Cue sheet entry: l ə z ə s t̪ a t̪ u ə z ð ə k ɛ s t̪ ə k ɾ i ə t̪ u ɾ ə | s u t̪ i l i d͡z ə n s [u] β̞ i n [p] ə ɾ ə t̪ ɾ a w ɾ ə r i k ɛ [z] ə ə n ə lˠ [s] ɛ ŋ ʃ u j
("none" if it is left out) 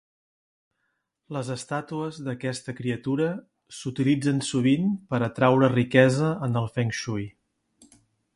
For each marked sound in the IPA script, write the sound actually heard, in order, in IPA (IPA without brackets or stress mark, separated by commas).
u, p, z, f